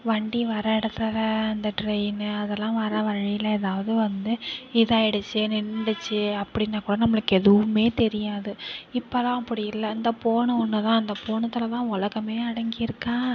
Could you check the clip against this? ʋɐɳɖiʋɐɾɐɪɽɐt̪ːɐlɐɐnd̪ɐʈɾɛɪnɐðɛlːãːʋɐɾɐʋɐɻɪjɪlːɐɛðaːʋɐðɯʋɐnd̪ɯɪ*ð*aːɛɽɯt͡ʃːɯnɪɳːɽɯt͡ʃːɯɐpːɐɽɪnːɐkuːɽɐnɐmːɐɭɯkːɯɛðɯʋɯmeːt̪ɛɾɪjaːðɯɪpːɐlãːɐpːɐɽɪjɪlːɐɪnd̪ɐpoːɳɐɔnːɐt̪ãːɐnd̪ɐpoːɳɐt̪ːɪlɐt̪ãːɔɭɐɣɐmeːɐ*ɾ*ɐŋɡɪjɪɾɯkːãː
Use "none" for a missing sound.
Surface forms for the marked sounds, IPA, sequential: ð, ɽ

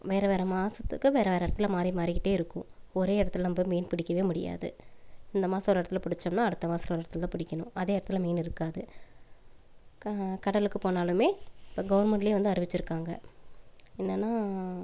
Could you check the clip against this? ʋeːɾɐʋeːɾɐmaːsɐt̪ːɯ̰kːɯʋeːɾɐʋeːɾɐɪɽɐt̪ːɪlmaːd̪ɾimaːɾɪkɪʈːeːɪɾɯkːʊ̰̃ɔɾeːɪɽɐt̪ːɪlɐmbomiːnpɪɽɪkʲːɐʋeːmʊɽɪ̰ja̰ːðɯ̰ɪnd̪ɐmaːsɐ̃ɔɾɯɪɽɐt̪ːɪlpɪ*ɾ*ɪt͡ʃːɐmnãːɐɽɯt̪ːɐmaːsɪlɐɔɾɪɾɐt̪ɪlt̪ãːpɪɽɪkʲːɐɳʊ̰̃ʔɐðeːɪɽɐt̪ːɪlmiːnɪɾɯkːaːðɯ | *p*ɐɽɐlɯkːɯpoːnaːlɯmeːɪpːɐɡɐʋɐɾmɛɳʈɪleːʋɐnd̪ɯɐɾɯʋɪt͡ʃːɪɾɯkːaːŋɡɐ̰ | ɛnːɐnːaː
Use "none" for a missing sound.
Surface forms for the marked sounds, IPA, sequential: ɽ, k

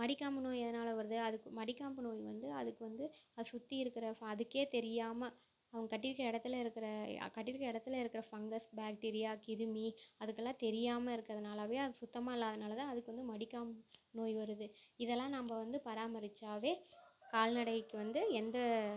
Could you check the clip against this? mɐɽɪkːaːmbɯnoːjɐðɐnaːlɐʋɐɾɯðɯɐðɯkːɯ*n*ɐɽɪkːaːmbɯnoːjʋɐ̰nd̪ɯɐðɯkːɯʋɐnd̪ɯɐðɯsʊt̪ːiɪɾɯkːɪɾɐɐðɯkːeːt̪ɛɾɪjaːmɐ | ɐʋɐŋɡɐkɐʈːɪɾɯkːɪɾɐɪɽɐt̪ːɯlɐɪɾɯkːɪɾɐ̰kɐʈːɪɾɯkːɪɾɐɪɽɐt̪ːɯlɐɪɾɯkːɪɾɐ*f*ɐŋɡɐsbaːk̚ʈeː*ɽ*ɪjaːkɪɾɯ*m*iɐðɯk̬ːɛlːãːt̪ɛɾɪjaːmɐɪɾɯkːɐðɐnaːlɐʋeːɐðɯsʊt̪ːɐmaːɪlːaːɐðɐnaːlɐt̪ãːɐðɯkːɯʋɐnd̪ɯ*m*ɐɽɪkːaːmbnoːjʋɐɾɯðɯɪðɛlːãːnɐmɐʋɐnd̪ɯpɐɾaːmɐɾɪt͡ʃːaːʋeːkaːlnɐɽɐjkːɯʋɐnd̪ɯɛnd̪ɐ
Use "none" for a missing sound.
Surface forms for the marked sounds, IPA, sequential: m, f, ɾ, m, m

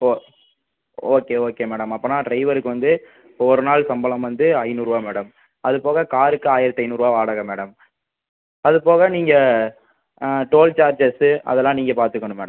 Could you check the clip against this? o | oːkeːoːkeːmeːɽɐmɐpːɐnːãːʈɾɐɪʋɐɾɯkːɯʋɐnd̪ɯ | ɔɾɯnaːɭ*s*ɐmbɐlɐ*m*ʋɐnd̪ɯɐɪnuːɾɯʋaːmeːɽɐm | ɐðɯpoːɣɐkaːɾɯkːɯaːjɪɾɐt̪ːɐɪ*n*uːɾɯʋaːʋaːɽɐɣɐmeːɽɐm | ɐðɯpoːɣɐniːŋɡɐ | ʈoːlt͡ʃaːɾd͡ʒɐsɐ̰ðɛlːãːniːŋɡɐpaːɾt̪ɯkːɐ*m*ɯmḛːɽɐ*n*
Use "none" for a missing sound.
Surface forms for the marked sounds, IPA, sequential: s, m, n, ɳ, m

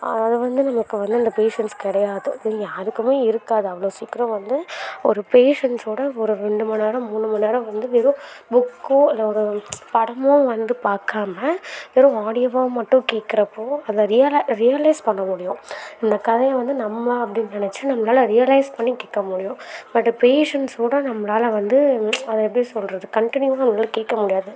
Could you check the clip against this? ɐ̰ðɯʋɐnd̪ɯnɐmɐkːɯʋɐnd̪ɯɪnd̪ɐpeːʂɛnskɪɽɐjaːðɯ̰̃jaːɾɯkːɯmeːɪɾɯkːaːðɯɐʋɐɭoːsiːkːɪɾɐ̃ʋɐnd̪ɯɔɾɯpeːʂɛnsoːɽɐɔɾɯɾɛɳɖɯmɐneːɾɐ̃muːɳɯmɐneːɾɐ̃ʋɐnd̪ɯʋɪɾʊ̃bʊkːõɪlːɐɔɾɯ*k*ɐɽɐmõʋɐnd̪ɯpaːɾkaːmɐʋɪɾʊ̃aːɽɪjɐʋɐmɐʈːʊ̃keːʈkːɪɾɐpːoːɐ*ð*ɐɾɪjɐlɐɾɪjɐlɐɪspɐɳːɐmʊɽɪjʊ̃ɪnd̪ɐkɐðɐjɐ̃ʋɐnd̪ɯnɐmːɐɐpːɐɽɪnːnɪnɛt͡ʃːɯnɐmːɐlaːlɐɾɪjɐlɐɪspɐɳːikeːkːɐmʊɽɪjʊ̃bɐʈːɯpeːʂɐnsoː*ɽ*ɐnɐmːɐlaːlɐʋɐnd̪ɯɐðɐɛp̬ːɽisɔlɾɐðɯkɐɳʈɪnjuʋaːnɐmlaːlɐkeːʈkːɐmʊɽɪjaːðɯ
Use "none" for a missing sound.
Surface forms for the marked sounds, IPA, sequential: p, ð, ɽ

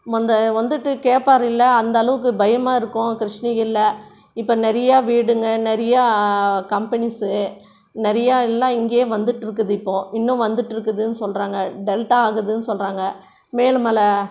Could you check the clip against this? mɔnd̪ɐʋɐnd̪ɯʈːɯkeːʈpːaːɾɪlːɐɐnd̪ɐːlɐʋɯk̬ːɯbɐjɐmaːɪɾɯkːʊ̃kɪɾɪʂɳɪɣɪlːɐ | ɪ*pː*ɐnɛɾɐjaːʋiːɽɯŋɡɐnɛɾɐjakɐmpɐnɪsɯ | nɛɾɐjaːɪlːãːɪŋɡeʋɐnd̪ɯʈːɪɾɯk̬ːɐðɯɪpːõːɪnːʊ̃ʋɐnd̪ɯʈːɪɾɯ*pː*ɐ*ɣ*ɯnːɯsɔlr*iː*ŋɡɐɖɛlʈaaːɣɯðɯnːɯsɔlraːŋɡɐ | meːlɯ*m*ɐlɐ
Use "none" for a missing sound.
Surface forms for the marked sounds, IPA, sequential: pː, kː, ð, aː, m

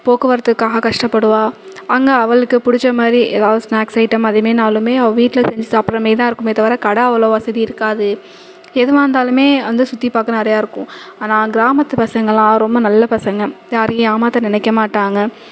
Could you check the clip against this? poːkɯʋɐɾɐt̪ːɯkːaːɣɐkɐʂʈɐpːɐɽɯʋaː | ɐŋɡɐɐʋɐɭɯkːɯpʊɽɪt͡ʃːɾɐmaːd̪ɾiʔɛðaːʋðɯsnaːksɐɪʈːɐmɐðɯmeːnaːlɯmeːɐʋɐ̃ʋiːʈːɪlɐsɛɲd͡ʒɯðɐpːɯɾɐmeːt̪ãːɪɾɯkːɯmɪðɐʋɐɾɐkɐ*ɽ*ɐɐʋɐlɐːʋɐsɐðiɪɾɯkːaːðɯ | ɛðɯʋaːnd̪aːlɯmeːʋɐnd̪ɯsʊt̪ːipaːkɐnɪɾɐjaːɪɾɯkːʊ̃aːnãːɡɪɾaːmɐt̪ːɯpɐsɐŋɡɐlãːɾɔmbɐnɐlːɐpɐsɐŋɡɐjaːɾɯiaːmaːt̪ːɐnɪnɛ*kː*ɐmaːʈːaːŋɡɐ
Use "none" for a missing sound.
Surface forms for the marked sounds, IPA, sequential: ɽ, kː

